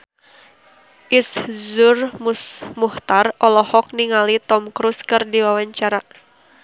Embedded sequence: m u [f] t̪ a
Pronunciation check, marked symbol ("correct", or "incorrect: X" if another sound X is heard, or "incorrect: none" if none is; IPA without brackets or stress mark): incorrect: h